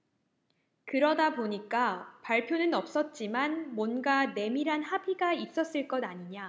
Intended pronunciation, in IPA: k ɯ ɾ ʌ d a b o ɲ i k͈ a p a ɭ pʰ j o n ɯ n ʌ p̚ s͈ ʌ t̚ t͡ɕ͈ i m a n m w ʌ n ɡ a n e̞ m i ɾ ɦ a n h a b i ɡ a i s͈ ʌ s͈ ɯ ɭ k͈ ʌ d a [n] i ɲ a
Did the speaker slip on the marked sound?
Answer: yes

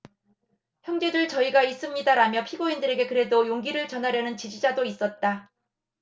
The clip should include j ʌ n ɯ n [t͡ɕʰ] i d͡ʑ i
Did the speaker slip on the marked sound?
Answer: yes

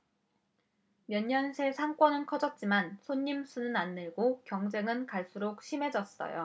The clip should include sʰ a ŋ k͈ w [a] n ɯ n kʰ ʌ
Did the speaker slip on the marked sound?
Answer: yes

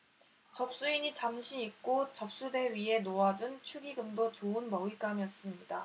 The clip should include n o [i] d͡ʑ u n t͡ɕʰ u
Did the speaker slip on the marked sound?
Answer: yes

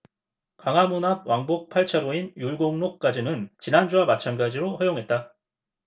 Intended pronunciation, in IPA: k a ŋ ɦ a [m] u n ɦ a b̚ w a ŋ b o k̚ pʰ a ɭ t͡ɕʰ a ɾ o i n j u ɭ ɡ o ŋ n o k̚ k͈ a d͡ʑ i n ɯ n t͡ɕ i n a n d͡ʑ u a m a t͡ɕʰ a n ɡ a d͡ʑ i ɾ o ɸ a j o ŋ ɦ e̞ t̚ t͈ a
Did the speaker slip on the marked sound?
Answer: no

